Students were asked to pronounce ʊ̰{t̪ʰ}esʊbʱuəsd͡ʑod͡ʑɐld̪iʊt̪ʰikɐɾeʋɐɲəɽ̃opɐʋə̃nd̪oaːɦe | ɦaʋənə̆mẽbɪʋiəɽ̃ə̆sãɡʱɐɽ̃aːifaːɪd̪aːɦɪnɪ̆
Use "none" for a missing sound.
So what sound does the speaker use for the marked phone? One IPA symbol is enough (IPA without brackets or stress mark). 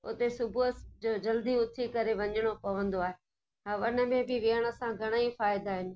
t̪